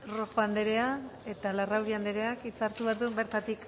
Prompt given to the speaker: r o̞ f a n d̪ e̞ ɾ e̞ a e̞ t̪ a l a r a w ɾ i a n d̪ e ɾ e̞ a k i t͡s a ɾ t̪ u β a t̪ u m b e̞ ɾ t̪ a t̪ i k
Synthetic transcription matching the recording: r o̞ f a n d̪ e̞ ɾ e̞ a e̞ t̪ a l a r a w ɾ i a n d̪ e ɾ e̞ a k i t͡s a ɾ t̪ u β a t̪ u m b e̞ ɾ t̪ a t̪ i k